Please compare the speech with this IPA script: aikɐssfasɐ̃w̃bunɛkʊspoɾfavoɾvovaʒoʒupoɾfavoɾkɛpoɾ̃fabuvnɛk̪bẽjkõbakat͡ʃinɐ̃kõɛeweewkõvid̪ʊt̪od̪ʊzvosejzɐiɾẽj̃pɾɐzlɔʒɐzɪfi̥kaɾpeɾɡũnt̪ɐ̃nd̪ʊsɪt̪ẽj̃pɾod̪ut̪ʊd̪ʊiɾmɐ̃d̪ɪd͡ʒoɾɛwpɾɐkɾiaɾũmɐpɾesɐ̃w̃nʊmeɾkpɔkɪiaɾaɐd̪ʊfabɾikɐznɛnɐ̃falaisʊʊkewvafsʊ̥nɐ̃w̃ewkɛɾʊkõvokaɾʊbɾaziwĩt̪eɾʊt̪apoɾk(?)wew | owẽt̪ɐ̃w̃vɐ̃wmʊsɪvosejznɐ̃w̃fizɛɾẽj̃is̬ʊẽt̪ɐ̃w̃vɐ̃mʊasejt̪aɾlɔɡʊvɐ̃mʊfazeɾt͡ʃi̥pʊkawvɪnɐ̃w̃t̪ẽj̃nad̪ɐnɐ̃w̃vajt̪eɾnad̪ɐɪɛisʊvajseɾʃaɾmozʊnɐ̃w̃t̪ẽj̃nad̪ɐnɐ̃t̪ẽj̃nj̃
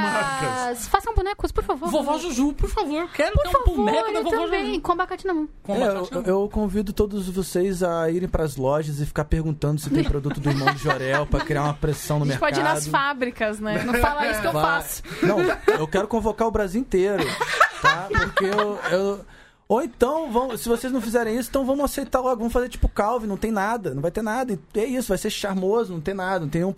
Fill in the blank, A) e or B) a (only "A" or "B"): A